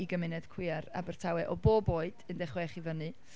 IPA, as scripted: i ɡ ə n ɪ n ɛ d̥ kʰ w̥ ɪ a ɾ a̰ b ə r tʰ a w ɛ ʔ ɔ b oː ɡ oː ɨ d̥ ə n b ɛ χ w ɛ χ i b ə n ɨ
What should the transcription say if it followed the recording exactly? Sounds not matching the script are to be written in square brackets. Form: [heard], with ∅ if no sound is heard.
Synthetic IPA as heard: i ɡ ə [m] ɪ n ɛ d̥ kʰ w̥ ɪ a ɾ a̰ b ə r tʰ a w ɛ ʔ ɔ b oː [b] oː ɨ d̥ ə n [d] ɛ χ w ɛ χ i [v] ə n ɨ